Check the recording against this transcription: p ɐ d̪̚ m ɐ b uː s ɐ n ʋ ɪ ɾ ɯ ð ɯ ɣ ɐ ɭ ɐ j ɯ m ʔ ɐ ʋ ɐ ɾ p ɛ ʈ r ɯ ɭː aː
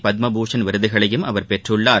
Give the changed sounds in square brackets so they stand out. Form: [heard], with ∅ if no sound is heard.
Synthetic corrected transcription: p ɐ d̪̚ m ɐ b uː [ʂ] ɐ n ʋ ɪ ɾ ɯ ð ɯ ɣ ɐ ɭ ɐ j ɯ m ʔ ɐ ʋ ɐ ɾ p ɛ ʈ r ɯ ɭː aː